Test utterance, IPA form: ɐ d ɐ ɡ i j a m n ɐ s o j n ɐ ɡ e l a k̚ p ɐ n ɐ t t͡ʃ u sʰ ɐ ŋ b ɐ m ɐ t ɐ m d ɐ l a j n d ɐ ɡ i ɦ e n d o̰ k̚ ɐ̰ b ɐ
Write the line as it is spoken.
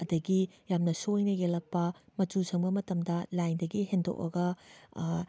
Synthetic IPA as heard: ɐ d ɐ ɡ i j a m n ɐ s o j n ɐ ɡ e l ɐ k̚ p ɐ m ɐ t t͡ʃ u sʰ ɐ ŋ b ɐ m ɐ t ɐ m d ɐ l a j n d ɐ ɡ i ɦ e n d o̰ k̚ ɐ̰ ɡ ɐ